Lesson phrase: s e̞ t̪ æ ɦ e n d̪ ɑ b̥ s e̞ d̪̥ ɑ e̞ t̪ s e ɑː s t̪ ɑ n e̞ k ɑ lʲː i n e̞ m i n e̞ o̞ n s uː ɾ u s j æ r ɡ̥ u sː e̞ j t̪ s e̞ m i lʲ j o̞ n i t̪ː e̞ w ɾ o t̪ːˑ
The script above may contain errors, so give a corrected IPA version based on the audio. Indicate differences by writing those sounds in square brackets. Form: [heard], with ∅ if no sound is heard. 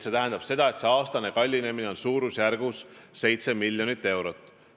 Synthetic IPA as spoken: s e̞ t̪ æ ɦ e n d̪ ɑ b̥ s e̞ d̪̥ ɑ e̞ t̪ s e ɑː s t̪ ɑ n e̞ k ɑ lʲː i n e̞ m i n e̞ o̞ n s uː ɾ u s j æ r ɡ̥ u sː e̞ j t̪ s e̞ m i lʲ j o̞ n i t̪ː e̞ w ɾ o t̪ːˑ